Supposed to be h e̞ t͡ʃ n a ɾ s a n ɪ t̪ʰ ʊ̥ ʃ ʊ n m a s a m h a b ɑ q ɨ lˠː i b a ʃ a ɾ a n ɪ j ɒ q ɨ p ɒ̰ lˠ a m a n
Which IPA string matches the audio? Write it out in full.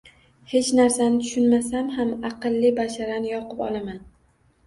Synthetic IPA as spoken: h e̞ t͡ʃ n a ɾ s a n ɪ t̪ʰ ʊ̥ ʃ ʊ n m a s a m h a m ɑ q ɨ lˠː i b a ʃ a ɾ a n ɪ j ɒ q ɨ p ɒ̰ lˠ a m a n